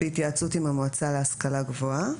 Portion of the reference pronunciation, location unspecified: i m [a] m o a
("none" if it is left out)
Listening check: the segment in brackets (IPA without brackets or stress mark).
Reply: a